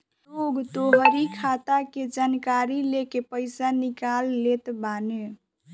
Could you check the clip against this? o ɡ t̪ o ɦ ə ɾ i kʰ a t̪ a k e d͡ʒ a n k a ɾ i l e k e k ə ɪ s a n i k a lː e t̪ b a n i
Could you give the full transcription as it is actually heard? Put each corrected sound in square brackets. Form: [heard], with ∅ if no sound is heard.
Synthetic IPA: o ɡ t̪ o ɦ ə ɾ i kʰ a t̪ a k e d͡ʒ a n k a ɾ i l e k e [p] ə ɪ s a n i k a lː e t̪ b a n [e]